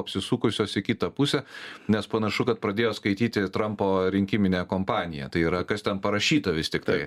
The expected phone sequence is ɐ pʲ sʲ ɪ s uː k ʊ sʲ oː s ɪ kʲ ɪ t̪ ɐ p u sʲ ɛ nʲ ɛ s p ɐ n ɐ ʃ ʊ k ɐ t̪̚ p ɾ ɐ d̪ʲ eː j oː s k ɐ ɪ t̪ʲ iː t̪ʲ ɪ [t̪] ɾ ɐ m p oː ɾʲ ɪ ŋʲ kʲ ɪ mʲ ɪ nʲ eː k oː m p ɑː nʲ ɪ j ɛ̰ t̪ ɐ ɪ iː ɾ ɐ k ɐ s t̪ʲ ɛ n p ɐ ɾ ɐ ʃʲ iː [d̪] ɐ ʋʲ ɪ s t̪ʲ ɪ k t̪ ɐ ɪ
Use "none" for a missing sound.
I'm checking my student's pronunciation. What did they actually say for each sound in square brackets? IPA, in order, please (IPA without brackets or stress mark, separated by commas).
t̪, t̪